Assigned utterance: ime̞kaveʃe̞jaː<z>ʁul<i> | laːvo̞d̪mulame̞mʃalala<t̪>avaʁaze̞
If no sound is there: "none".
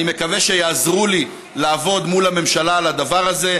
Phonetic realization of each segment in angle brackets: z, i, d̪

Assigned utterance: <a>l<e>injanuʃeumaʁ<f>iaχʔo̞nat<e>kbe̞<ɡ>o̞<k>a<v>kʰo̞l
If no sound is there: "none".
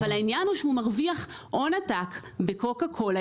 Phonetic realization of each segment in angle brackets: a, a, v, a, k, k, none

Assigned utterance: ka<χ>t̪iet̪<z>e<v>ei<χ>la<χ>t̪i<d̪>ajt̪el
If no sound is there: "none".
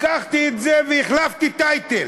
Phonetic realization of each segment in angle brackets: χ, z, v, χ, f, t̪

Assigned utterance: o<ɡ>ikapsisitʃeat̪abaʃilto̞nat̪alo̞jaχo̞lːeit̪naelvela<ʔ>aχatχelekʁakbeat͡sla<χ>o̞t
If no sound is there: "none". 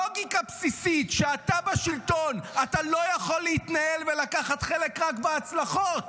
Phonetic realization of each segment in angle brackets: ɡ, k, χ

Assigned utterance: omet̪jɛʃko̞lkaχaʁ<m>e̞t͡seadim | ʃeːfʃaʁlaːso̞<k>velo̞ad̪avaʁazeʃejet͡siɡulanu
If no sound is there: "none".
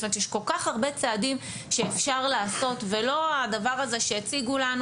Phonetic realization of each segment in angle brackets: b, t

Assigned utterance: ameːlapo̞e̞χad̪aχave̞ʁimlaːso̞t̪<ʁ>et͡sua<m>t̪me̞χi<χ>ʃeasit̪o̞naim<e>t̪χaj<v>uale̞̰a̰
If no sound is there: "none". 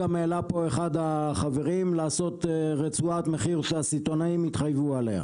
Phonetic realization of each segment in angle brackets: ʁ, none, ʁ, i, v

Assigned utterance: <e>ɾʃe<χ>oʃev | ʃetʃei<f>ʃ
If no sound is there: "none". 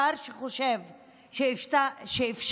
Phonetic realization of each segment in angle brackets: a, χ, f

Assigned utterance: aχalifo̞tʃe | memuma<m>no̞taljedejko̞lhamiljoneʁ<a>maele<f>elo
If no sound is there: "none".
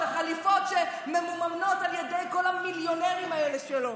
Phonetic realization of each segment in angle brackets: m, i, ʃ

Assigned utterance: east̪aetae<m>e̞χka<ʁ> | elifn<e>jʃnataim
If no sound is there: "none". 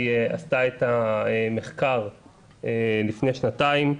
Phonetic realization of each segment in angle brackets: m, ʁ, e

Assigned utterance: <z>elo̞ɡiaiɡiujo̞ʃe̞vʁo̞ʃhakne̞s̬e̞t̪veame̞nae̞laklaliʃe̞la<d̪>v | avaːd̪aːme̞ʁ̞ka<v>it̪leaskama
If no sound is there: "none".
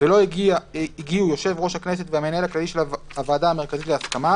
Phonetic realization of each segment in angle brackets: v, none, z

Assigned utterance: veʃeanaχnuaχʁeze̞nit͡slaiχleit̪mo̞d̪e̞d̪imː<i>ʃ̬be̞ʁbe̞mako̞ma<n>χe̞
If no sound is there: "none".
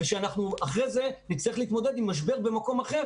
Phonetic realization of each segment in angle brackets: a, none

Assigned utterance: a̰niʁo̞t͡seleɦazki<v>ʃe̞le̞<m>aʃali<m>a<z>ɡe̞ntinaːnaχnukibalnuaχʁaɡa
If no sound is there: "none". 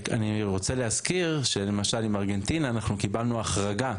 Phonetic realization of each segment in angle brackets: ʁ, m, m, ʁ

